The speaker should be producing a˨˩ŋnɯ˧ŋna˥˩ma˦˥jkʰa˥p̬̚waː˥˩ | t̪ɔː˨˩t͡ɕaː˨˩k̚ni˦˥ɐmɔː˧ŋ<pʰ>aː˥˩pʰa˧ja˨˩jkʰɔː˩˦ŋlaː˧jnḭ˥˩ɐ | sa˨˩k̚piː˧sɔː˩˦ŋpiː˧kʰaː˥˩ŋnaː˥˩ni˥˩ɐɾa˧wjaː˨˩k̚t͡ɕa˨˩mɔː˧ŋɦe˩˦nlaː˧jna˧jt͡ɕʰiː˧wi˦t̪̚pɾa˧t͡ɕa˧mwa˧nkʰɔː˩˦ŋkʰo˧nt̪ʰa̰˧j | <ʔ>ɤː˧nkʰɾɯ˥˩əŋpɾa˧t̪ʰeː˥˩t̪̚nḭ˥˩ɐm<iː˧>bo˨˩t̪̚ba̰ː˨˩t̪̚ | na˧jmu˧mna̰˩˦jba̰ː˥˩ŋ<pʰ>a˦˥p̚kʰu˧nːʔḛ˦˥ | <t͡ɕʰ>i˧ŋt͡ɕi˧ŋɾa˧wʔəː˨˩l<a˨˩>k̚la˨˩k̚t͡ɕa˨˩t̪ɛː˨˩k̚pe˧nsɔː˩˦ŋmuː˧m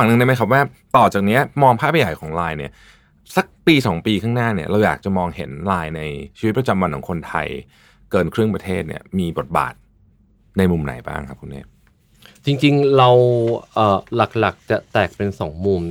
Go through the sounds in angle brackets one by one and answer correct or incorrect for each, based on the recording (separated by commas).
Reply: correct, incorrect, correct, incorrect, incorrect, correct